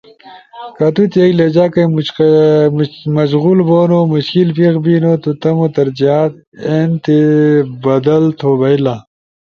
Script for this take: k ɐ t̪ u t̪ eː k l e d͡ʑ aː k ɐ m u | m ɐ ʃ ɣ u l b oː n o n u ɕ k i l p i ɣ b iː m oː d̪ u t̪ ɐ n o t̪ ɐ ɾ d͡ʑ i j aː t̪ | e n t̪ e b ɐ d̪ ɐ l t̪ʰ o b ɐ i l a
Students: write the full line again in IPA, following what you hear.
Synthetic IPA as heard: k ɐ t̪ u t̪ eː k l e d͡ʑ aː k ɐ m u | m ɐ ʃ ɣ u l b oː n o m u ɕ k i l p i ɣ b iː n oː t̪ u t̪ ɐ m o t̪ ɐ ɾ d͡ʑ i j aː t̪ | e n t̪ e b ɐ d̪ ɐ l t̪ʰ o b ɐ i l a